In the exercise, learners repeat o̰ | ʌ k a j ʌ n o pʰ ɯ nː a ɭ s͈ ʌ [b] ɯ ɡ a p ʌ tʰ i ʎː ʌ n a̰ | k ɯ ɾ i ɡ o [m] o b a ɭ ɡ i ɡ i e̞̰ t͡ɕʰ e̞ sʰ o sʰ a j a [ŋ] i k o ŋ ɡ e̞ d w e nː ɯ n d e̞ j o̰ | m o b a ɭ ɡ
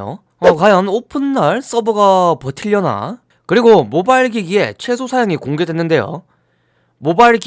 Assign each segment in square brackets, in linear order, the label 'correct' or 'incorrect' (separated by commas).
correct, correct, correct